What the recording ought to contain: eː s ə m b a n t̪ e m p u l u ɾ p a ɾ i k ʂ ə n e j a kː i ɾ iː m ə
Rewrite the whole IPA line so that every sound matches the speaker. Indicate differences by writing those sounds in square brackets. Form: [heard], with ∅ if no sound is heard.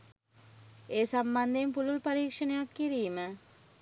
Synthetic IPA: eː s [a] m b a n [d̪] e m p u l u [l] p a ɾ [iː] k ʂ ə n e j a kː i ɾ iː m ə